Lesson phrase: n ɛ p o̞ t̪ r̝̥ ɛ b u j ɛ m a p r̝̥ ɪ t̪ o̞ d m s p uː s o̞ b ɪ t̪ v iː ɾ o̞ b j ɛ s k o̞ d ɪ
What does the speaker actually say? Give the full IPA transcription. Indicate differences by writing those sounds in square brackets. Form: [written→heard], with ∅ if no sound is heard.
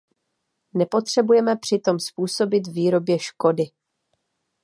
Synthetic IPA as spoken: n ɛ p o̞ t̪ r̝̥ ɛ b u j ɛ m [a→ɛ] p r̝̥ ɪ t̪ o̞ [d→∅] m s p uː s o̞ b ɪ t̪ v iː ɾ o̞ b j ɛ [s→ʃ] k o̞ d ɪ